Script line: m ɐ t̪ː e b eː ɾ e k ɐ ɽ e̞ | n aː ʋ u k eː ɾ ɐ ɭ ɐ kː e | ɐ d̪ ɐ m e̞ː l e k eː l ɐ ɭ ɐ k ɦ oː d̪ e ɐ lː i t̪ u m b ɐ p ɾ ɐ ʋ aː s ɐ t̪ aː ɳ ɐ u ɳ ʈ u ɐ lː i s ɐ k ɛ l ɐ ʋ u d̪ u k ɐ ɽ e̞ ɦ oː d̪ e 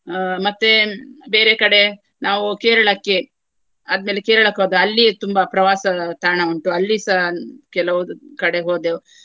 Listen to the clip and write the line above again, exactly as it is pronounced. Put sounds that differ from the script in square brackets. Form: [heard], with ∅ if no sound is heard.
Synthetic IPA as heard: m ɐ t̪ː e b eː ɾ e k ɐ ɽ e̞ | n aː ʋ u k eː ɾ ɐ ɭ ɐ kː e | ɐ d̪ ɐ m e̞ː l e k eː [ɾ] ɐ ɭ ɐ k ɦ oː d̪ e ɐ lː i t̪ u m b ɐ p ɾ ɐ ʋ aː s ɐ t̪ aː ɳ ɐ u ɳ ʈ u ɐ lː i s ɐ k ɛ l ɐ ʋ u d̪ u k ɐ ɽ e̞ ɦ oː d̪ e